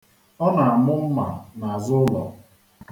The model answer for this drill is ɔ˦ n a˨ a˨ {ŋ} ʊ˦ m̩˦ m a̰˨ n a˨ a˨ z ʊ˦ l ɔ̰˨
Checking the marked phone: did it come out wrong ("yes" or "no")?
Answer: yes